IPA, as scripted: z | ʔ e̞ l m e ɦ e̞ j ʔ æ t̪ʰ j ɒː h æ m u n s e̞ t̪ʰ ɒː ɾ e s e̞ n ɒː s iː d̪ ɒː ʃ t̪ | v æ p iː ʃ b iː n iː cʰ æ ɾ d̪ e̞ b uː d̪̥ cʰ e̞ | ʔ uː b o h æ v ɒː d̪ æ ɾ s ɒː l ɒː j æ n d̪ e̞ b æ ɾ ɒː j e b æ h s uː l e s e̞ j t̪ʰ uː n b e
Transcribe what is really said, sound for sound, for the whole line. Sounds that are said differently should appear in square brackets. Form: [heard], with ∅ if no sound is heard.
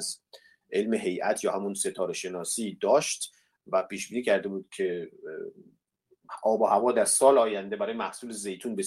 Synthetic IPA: z | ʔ e̞ l m e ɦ e̞ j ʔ æ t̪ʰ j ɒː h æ m u n s e̞ t̪ʰ ɒː ɾ e [ʃ] e̞ n ɒː s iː d̪ ɒː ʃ t̪ | v æ p iː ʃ b iː n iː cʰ æ ɾ d̪ e̞ b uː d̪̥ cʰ e̞ | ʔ [ɒː] b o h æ v ɒː d̪ æ ɾ s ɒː l ɒː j æ n d̪ e̞ b æ ɾ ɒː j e [m] æ h s uː l e [z] e̞ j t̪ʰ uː n b e